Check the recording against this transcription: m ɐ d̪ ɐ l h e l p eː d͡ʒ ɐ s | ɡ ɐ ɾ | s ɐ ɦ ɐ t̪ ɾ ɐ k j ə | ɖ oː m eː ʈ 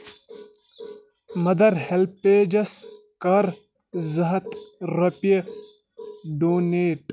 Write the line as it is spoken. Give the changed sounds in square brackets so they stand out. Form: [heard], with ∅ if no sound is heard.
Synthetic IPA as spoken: m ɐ d̪ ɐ [ɾ] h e l p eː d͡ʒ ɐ s | [k] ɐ ɾ | [z] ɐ ɦ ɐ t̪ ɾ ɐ [p] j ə | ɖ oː [n] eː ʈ